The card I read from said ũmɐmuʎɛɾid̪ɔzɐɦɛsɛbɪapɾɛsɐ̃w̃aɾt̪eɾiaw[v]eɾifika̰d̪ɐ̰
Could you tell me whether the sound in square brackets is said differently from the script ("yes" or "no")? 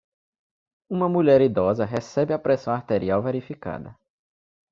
no